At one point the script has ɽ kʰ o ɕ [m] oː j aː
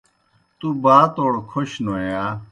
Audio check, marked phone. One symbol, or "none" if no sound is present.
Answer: n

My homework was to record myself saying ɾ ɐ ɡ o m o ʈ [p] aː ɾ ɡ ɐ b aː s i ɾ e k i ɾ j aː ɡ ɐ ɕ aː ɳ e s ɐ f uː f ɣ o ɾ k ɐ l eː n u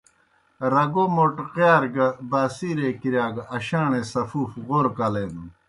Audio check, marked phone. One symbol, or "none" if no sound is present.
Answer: q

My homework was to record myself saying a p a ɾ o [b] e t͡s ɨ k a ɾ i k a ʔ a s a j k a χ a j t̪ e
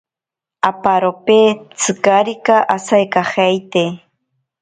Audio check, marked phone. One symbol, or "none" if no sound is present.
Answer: p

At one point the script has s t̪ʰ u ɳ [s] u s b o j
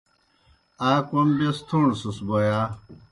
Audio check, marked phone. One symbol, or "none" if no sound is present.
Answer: s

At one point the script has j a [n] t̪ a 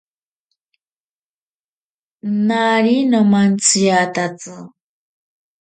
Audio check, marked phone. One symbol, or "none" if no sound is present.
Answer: none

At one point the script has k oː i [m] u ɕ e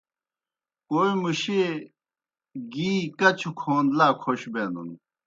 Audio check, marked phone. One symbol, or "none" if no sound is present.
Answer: m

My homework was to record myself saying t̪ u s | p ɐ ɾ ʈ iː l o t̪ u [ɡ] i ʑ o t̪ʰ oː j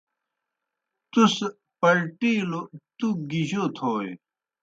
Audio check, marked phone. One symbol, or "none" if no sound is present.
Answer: ɡ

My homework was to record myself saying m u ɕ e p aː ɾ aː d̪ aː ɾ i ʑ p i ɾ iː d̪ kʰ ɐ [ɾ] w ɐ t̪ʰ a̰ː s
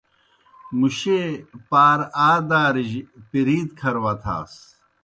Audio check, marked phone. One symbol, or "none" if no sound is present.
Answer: ɾ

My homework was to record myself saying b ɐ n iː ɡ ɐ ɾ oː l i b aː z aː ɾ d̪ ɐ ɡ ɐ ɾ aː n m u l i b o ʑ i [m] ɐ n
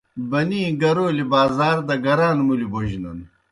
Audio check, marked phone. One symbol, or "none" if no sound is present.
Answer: n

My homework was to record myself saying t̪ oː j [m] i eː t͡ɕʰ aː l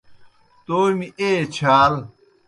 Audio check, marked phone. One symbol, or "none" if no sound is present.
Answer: m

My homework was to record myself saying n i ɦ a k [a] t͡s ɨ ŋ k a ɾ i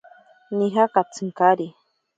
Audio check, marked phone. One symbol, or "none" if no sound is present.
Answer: a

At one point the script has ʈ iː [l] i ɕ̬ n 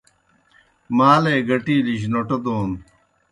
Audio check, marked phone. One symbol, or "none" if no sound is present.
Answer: l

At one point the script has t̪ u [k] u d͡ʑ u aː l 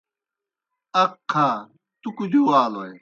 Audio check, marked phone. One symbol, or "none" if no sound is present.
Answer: k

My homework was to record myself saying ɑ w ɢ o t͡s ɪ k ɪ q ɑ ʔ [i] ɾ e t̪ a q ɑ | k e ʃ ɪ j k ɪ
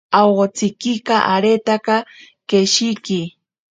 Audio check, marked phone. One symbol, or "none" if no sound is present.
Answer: a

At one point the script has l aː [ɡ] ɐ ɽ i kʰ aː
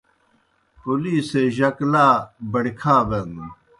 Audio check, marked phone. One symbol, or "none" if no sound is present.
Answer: b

